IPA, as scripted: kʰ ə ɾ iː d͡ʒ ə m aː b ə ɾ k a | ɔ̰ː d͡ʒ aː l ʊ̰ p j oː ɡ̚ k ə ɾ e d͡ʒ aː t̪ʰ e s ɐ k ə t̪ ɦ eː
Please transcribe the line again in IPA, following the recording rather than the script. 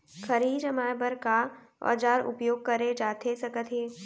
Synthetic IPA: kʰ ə ɾ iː d͡ʒ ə m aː b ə ɾ k a | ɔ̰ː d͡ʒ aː ɾ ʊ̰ p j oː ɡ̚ k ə ɾ e d͡ʒ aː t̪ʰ e s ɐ k ə t̪ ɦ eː

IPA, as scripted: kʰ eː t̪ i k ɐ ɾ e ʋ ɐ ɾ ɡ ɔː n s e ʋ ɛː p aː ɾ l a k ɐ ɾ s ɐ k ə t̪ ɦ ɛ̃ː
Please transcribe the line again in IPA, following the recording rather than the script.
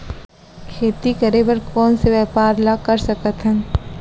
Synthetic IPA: kʰ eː t̪ i k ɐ ɾ e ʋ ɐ ɾ k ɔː n s e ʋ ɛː p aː ɾ l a k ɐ ɾ s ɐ k ə t̪ ɦ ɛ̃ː

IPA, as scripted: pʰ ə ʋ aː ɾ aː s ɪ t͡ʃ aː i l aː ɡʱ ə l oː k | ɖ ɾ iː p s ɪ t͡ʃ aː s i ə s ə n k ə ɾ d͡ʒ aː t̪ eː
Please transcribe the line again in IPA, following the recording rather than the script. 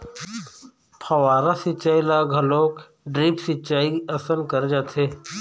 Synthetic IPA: pʰ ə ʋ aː ɾ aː s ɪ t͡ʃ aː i l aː ɡʱ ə l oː k | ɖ ɾ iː p s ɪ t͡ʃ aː i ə s ə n k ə ɾ d͡ʒ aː t̪ʰ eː

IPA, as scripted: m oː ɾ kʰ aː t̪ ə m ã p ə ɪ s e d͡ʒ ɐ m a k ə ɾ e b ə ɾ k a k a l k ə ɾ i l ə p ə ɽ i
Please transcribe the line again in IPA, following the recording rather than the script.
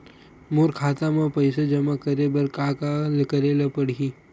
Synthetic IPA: m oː ɾ kʰ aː t̪ a m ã p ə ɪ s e d͡ʒ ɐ m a k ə ɾ e b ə ɾ k a k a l k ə ɾ e l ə p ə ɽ i

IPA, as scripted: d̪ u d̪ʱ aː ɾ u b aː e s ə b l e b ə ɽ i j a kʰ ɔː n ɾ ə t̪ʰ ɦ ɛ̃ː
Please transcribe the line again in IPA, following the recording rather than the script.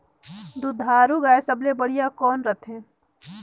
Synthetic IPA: d̪ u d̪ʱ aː ɾ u ɡ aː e s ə b l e b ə ɽ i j a k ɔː n ɾ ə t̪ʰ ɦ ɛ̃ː

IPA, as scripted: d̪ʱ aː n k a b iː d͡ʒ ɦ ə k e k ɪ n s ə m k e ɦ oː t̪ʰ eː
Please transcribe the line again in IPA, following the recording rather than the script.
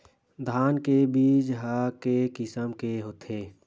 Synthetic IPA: d̪ʱ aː n k e b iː d͡ʒ ɦ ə k e k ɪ s ə m k e ɦ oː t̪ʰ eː

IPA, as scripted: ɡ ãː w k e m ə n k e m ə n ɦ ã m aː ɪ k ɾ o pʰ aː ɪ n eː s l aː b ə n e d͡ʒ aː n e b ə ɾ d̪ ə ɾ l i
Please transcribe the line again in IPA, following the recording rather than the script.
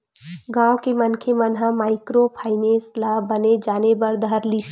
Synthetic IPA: ɡ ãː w k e m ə n kʰ e m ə n ɦ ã m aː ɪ k ɾ o pʰ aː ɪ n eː s l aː b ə n e d͡ʒ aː n e b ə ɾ d̪ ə ɾ l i

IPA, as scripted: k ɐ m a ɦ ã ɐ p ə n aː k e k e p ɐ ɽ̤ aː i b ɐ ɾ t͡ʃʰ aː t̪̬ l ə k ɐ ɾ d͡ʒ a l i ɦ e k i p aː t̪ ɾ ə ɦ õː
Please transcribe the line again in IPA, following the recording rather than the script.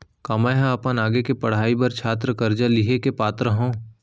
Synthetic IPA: k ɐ m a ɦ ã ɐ p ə n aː ɡ e k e p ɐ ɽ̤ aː i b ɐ ɾ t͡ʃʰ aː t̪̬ ɾ ə k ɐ ɾ d͡ʒ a l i ɦ e k e p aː t̪ ɾ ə ɦ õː

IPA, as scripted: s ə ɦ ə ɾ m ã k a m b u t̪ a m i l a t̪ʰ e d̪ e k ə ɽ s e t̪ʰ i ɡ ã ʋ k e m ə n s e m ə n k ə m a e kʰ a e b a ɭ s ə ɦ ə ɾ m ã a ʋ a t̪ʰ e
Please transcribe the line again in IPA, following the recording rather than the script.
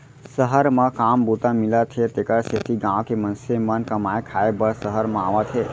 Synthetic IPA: s ə ɦ ə ɾ m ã k a m b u t̪ a m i l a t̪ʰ e t̪ e k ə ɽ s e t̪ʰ i ɡ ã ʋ k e m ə n s e m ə n k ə m a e kʰ a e b ə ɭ s ə ɦ ə ɾ m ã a ʋ a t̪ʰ e

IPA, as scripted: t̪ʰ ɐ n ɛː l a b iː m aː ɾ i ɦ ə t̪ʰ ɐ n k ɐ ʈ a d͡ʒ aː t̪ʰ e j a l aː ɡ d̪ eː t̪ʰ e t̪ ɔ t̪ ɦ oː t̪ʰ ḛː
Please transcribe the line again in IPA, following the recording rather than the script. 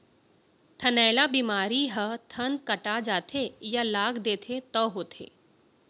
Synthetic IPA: t̪ʰ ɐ n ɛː l a b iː m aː ɾ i ɦ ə t̪ʰ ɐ n k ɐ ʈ a d͡ʒ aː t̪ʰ e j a l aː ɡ d̪ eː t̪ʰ e t̪ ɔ ɦ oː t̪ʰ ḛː

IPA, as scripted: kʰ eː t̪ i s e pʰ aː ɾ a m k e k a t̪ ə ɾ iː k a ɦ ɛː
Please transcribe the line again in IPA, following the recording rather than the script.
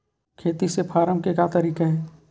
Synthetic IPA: kʰ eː t̪ i s e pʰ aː ɾ ə m k e k a t̪ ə ɾ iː k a ɦ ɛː

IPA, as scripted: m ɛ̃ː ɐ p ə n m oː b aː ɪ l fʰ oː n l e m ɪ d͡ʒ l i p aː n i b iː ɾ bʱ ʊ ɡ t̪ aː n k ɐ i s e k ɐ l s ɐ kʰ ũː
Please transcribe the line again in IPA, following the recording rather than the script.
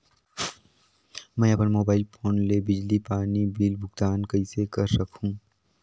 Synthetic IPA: m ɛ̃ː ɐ p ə n m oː b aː ɪ l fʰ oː n l e b ɪ d͡ʒ l i p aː n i b iː l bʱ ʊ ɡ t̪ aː n k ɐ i s e k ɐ ɾ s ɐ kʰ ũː

